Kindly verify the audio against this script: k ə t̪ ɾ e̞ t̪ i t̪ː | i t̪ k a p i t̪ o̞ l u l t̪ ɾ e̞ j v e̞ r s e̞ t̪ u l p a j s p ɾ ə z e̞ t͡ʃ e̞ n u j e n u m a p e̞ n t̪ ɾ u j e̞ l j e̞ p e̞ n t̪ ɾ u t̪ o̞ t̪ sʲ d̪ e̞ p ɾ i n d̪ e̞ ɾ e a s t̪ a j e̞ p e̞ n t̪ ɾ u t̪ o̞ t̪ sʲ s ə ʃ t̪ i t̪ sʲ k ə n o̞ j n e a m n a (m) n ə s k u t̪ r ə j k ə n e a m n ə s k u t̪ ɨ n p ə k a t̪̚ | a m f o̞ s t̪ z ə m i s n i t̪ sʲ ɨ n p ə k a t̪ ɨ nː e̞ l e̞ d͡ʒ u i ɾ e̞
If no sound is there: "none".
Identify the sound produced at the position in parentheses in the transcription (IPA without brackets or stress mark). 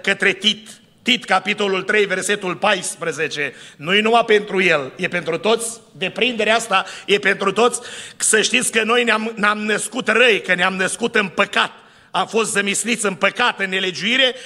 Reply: m